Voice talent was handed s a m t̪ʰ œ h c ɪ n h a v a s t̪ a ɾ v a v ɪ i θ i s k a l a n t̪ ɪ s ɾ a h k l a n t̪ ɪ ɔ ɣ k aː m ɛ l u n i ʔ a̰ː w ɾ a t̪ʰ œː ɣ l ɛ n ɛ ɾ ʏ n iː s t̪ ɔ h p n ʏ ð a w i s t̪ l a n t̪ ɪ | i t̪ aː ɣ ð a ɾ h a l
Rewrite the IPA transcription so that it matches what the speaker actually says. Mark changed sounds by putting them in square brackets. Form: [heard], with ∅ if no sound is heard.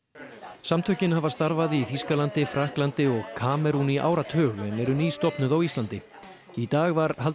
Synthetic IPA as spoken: s a m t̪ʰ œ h c ɪ n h a v a s t̪ a ɾ v a [ð] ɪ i θ i s k a l a n t̪ ɪ [f] ɾ a h k l a n t̪ ɪ ɔ ɣ [kʰ] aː m ɛ [ɾ] u n i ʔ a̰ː w ɾ a t̪ʰ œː ɣ l ɛ n ɛ ɾ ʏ n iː s t̪ ɔ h p n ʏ ð a w i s t̪ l a n t̪ ɪ | i t̪ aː ɣ [v] a ɾ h a l